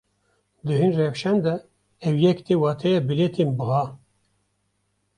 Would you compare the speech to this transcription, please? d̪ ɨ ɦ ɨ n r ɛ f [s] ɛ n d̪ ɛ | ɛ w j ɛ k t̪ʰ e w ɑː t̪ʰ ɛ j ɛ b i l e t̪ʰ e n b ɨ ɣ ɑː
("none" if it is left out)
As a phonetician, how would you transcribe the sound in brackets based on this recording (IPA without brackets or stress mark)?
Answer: ʃ